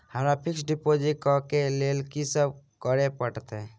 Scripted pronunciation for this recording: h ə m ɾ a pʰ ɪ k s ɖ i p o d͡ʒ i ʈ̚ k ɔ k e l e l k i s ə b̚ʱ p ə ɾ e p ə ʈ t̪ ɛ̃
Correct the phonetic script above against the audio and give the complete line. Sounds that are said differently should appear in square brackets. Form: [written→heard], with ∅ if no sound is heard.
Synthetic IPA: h ə m ɾ a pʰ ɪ k s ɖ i p o d͡ʒ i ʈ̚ k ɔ k e l e l k i s ə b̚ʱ [p→k] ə ɾ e p ə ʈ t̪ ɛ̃